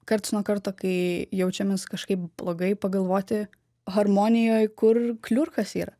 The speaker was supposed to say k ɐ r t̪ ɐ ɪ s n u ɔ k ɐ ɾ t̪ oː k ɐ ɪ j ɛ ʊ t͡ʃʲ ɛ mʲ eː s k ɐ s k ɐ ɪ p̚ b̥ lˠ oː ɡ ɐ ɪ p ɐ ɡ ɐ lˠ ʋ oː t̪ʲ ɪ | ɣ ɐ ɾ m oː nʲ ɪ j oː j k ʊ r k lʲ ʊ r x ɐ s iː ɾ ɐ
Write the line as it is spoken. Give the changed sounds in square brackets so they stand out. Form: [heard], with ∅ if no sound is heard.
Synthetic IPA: k ɐ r t̪ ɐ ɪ s n u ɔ k ɐ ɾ t̪ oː k ɐ ɪ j ɛ ʊ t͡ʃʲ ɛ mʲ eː s k ɐ [ʃ] k ɐ ɪ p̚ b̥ lˠ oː ɡ ɐ ɪ p ɐ ɡ ɐ lˠ ʋ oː t̪ʲ ɪ | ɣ ɐ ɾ m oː nʲ ɪ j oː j k ʊ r k lʲ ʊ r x ɐ s iː ɾ ɐ